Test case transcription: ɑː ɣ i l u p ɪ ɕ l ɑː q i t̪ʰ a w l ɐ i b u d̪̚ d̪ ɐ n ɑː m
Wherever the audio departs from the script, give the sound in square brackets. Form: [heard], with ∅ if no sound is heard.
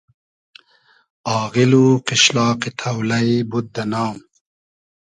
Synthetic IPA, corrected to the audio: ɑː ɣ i l u [q] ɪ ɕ l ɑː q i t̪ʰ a w l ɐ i b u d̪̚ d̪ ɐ n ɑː m

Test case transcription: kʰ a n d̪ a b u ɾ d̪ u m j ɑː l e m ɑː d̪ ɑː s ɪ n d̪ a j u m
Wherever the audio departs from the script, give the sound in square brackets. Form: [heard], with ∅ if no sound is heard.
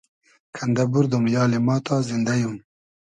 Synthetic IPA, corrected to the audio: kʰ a n d̪ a b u ɾ d̪ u m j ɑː l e m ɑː [t̪] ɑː [z] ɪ n d̪ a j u m

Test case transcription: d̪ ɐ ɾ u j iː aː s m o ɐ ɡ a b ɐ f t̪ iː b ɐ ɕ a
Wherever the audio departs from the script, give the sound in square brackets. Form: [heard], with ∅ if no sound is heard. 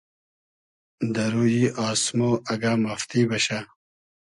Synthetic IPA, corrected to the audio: d̪ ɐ ɾ u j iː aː s m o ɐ ɡ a [m] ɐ f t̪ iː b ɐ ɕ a

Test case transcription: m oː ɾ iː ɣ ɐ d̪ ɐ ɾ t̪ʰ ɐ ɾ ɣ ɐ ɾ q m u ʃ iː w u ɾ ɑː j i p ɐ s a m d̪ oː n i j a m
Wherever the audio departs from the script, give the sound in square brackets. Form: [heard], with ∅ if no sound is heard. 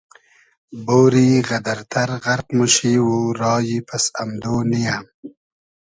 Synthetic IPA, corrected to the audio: [b] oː ɾ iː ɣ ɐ d̪ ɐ ɾ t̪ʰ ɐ ɾ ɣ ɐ ɾ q m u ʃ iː w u ɾ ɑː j i p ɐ s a m d̪ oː n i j a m

